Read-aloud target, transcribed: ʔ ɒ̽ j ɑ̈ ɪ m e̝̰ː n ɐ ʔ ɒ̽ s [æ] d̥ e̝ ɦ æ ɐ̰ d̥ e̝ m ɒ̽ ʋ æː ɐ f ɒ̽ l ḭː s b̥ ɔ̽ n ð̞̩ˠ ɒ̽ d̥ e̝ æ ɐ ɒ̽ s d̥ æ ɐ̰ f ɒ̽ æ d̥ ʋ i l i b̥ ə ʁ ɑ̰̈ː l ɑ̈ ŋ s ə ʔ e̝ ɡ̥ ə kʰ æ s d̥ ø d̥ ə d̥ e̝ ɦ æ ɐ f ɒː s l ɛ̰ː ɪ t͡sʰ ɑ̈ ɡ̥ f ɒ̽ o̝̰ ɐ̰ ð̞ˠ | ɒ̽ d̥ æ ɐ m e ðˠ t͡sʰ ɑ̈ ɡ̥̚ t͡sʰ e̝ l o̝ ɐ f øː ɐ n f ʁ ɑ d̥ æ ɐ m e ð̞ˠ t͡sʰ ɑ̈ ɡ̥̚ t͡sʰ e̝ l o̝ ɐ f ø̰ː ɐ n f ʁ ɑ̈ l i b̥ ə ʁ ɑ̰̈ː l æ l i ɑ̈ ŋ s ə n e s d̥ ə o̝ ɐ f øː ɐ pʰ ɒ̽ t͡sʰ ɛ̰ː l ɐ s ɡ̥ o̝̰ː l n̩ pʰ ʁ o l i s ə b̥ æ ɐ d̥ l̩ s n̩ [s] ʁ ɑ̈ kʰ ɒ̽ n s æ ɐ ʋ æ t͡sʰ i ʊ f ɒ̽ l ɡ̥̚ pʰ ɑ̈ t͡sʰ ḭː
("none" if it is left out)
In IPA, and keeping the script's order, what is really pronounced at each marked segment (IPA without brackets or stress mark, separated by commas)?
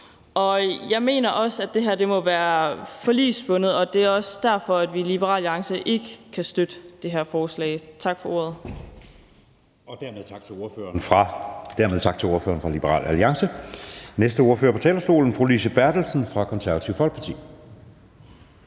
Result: æ, f